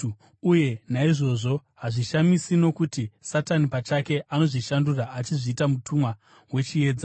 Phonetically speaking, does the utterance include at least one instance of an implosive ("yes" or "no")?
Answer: no